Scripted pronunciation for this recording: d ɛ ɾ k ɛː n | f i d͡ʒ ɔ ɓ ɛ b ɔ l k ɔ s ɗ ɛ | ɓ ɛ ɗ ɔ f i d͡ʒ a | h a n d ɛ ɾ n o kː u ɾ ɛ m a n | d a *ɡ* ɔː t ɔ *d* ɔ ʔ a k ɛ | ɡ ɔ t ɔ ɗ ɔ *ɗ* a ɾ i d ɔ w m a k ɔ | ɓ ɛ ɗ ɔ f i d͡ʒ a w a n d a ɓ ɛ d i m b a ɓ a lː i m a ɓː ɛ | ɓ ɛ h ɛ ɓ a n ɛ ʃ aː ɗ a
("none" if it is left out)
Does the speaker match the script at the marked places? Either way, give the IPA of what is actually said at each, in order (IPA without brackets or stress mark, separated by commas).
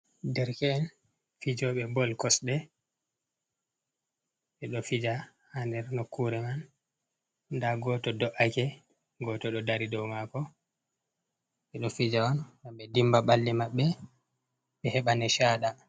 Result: ɡ, d, d